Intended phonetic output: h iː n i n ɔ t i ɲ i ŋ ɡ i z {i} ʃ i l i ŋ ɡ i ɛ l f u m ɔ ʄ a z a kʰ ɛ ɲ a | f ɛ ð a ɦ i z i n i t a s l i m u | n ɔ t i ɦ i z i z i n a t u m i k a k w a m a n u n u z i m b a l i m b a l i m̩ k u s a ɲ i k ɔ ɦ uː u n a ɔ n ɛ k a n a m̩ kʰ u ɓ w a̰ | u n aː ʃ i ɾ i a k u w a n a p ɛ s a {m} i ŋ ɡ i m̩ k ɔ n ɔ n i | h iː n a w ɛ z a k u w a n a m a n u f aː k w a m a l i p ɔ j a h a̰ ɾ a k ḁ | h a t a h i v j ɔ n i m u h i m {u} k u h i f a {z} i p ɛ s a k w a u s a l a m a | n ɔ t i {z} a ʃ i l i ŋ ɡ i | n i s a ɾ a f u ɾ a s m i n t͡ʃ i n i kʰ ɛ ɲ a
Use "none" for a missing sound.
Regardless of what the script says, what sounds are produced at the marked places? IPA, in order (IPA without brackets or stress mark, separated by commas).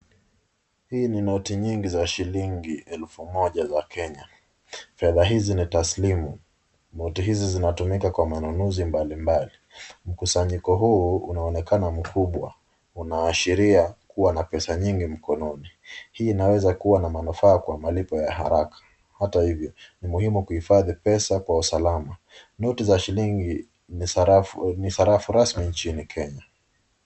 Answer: a, ɲ, u, ð, z